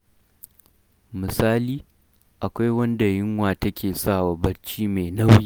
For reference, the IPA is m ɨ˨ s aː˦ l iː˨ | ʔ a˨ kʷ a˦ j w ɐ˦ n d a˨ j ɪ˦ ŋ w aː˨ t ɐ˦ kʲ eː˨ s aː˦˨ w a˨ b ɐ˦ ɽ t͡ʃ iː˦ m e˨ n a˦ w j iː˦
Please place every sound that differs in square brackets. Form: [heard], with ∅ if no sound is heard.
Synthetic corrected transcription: m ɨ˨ s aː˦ l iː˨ | ʔ a˨ kʷ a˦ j w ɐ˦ n d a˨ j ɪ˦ ŋ w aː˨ t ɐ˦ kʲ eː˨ s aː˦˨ w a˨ b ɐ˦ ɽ t͡ʃ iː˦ m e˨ n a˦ w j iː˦